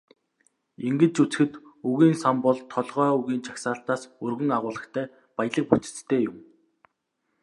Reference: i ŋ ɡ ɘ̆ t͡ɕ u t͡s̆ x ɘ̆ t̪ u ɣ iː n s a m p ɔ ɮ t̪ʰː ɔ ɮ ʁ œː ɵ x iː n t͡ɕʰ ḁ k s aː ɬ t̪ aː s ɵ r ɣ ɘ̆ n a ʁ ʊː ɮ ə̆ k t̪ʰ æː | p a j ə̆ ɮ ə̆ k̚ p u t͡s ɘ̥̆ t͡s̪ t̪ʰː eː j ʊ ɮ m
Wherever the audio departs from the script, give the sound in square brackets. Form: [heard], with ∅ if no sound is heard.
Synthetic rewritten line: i ŋ ɡ ɘ̆ t͡ɕ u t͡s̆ x ɘ̆ t̪ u ɣ iː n s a m p ɔ ɮ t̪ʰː ɔ ɮ ʁ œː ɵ [ɣ] iː n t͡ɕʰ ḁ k s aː ɬ t̪ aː s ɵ r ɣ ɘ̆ [ŋ] a ʁ ʊː ɮ ə̆ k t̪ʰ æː | p a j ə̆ ɮ ə̆ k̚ p u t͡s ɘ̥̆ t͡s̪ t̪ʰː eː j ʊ [∅] m